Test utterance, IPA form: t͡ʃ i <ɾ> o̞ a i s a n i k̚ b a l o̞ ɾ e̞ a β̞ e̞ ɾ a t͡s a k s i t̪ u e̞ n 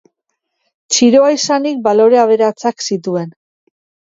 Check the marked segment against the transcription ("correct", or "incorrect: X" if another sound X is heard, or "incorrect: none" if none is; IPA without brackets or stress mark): correct